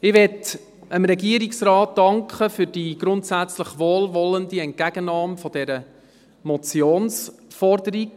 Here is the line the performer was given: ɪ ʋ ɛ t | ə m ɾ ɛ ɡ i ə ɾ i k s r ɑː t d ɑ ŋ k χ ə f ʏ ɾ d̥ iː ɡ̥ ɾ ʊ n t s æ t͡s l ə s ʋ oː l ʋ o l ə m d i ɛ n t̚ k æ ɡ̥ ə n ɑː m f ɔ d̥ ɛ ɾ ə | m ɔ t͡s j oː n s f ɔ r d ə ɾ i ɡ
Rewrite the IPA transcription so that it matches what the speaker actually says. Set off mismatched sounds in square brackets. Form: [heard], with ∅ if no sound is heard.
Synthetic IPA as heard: ɪ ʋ ɛ t | ə m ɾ ɛ ɡ i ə ɾ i k s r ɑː t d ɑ ŋ k χ ə f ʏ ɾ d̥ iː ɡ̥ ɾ ʊ n t s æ t͡s l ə [χ] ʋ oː l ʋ [ɔ] l ə [n] d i ɛ n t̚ k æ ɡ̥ ə n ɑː m f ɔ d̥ ɛ ɾ ə | m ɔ t͡s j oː n s f ɔ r d ə ɾ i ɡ